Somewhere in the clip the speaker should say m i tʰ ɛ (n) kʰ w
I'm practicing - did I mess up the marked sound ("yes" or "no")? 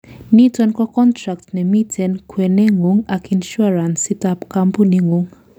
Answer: no